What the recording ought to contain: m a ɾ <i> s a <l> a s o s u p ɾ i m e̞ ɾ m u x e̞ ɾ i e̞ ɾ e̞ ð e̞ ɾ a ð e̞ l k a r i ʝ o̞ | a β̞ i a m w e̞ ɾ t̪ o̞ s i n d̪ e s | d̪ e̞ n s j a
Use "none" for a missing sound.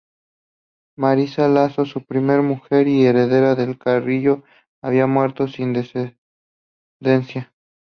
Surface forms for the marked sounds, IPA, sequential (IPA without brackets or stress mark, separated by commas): i, l